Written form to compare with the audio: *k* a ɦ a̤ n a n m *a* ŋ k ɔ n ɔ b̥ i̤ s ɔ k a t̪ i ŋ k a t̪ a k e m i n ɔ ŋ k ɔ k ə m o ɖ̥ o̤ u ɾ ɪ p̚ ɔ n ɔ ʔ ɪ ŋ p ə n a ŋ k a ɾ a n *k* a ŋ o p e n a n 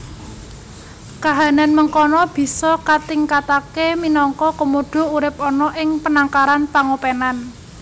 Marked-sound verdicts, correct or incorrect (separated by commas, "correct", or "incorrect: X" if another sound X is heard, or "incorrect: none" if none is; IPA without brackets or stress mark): correct, incorrect: ə, incorrect: p